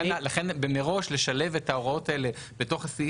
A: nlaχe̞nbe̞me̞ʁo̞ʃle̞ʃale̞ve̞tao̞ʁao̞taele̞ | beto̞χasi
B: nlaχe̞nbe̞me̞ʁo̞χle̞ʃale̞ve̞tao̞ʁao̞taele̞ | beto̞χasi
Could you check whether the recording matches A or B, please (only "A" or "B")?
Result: A